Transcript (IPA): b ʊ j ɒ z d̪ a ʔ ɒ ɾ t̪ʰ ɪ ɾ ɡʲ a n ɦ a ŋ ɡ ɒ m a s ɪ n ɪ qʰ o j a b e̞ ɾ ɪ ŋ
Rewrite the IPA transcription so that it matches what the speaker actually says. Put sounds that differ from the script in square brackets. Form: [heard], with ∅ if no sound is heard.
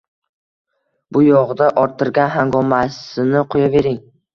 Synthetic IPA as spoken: b ʊ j ɒ [ʁ] d̪ a ʔ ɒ ɾ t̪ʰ ɪ ɾ ɡʲ a n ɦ a ŋ ɡ ɒ m a s ɪ n ɪ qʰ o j a [v] e̞ ɾ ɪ ŋ